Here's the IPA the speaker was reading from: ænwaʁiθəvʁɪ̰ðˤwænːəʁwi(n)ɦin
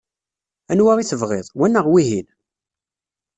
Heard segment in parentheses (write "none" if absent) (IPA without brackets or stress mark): none